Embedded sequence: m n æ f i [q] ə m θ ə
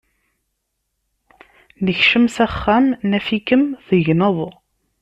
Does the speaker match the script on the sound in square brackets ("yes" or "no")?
no